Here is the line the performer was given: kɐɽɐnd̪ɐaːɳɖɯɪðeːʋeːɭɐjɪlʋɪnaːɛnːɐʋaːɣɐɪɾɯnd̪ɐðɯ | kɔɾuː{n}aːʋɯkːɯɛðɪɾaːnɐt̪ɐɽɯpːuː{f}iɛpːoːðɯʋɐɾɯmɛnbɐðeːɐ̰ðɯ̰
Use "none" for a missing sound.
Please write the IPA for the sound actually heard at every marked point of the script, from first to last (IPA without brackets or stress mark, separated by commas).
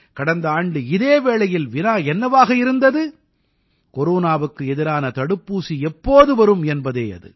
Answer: n, s